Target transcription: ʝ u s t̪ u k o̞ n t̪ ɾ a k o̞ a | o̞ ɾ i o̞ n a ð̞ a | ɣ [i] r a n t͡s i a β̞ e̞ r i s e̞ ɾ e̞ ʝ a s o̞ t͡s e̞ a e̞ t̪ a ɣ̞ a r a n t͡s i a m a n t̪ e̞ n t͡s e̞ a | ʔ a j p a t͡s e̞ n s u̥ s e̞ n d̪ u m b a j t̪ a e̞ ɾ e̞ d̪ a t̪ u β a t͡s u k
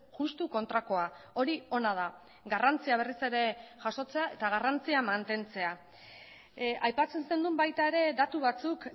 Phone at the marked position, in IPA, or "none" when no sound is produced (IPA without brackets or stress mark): a